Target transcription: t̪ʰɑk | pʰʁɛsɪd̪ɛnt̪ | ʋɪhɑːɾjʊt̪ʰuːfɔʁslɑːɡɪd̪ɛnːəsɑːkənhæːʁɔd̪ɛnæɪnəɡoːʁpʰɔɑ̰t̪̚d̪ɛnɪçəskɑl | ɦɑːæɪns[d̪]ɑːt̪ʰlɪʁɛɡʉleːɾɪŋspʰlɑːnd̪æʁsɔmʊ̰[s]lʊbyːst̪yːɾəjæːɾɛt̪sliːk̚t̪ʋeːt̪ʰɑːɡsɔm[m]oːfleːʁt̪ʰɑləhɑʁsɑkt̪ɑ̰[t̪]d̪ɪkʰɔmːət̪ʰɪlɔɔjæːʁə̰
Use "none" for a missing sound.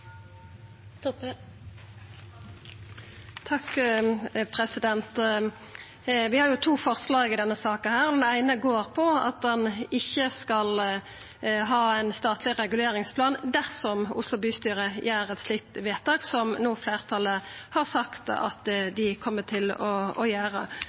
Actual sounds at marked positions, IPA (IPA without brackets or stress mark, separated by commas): t̪, s, n, t̪